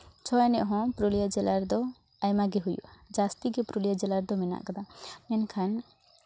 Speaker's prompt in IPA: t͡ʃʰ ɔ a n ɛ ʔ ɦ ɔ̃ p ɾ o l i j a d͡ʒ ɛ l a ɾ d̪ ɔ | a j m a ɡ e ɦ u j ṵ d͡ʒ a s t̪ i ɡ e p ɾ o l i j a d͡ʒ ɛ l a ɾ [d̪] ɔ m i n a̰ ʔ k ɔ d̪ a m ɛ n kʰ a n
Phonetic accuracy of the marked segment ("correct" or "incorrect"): correct